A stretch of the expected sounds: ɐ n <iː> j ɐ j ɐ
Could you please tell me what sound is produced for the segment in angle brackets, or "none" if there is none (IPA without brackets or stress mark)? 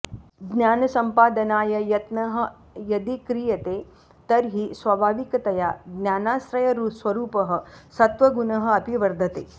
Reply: aː